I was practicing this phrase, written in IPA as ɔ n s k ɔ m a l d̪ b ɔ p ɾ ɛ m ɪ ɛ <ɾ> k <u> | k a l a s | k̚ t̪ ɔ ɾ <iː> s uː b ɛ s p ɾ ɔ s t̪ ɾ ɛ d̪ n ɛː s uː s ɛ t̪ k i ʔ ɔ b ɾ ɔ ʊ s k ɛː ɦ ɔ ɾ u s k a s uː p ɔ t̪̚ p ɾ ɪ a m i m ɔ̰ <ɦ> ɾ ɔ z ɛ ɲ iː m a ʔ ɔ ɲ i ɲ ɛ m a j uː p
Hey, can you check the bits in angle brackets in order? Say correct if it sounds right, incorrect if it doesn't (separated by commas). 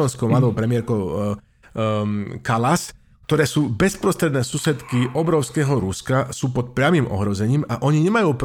correct, incorrect, incorrect, correct